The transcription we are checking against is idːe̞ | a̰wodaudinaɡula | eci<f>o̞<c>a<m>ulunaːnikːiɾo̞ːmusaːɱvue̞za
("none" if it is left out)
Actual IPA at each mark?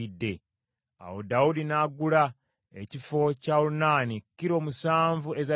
f, c, none

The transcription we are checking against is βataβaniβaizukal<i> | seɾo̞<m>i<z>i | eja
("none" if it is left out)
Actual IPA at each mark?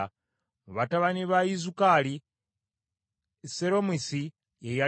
i, m, s

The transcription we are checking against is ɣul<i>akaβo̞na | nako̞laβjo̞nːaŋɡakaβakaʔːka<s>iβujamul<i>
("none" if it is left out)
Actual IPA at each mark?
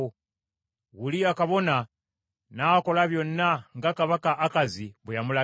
i, z, a

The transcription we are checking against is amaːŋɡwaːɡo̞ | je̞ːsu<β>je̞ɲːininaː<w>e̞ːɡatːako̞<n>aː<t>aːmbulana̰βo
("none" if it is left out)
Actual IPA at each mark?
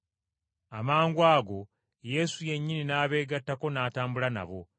none, β, n, t

